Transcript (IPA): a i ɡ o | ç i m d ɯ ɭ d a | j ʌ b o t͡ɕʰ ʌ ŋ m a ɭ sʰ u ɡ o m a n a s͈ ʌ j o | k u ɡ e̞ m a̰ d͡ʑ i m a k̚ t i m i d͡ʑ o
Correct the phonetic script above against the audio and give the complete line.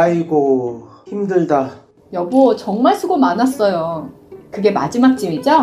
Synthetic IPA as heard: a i ɡ o | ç i m d ɯ ɭ d a | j ʌ b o t͡ɕ ʌ ŋ m a ɭ sʰ u ɡ o m a n a s͈ ʌ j o | k ɯ ɡ e̞ m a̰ d͡ʑ i m a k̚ t͡ɕ͈ i m i d͡ʑ o